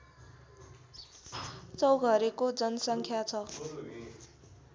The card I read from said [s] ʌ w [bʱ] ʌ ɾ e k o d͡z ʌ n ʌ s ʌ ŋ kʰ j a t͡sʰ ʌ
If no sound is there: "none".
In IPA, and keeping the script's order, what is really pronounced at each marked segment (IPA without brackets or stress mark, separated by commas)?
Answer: t͡s, ɡʱ